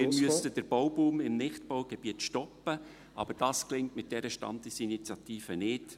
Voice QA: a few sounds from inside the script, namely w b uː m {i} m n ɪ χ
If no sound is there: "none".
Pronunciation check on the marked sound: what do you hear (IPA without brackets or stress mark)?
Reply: ɪ